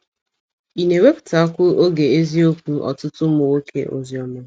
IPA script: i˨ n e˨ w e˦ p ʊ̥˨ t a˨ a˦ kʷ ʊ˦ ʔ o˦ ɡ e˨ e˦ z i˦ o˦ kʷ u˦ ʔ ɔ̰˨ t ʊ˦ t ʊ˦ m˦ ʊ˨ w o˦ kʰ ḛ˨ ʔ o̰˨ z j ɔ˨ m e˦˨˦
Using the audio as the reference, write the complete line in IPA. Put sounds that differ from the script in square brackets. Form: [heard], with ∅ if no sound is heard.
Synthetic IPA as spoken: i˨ n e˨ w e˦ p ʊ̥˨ t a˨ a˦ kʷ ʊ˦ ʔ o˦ ɡ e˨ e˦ z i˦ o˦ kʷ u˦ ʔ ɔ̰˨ t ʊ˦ t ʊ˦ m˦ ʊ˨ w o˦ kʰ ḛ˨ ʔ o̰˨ z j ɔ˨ m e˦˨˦